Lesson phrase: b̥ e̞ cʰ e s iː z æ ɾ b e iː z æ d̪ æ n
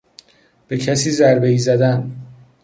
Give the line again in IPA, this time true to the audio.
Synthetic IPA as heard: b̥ e̞ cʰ æ s iː z æ ɾ b e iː z æ d̪ æ n

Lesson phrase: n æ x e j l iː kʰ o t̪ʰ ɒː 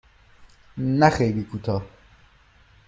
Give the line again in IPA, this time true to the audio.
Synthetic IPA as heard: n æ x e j l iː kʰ u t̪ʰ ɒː

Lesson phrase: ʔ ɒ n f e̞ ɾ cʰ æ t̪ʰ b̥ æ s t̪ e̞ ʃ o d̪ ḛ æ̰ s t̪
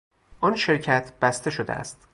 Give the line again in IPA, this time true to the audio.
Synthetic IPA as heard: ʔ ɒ n ʃ e̞ ɾ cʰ æ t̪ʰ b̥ æ s t̪ e̞ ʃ o d̪ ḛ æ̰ s t̪

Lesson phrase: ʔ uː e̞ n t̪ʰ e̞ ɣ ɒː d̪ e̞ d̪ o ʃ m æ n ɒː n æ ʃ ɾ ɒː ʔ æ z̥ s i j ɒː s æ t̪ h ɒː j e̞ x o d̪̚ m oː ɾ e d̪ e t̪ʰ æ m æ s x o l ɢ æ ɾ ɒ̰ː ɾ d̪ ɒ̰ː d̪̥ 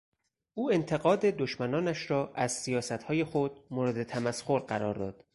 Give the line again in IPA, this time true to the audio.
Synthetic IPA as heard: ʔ uː e̞ n t̪ʰ e̞ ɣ ɒː d̪ e̞ d̪ o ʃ m æ n ɒː n æ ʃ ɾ ɒː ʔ æ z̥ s i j ɒː s æ t̪ h ɒː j e̞ x o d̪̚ m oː ɾ e d̪ e t̪ʰ æ m æ s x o ɾ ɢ æ ɾ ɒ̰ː ɾ d̪ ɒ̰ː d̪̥

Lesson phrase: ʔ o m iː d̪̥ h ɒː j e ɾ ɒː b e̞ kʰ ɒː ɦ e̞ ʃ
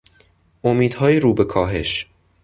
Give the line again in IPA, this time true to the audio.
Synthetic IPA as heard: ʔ o m iː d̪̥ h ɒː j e ɾ uː b e̞ kʰ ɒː ɦ e̞ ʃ

